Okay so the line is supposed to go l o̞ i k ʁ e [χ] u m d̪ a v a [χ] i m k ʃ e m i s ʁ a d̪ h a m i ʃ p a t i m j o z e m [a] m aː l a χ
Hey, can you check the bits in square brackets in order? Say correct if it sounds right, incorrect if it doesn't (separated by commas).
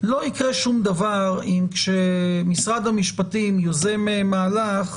incorrect, incorrect, incorrect